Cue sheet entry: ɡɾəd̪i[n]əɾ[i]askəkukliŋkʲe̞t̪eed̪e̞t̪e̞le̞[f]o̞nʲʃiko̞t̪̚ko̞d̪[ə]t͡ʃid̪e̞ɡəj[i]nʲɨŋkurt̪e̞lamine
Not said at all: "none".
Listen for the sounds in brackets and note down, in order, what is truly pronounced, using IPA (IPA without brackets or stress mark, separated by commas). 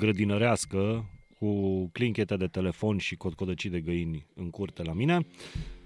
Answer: n, e, f, ə, i